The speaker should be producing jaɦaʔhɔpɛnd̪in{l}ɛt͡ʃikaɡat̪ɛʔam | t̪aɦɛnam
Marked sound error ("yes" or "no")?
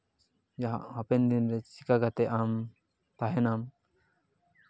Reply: yes